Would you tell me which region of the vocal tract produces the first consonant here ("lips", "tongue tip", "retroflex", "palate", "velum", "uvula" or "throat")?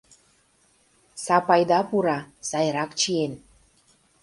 tongue tip